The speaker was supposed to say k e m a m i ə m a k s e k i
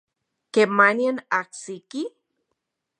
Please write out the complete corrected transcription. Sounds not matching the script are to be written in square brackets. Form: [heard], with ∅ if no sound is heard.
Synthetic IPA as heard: k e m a [n] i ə [n] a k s [i] k i